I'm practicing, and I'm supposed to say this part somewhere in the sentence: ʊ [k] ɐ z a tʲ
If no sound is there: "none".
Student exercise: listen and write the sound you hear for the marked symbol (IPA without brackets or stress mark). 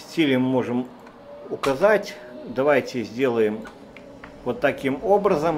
k